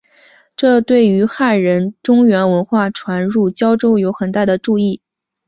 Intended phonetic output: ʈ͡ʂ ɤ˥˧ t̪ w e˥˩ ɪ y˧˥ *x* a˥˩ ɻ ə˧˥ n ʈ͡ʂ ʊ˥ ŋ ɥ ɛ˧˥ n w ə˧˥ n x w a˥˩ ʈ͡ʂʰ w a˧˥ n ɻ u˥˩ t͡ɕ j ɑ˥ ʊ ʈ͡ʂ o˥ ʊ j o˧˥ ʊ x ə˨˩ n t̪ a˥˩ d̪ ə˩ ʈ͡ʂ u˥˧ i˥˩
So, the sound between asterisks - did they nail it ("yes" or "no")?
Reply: yes